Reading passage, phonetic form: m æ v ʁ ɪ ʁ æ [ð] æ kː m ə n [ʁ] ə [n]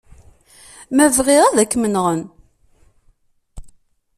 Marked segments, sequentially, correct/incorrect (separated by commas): correct, correct, correct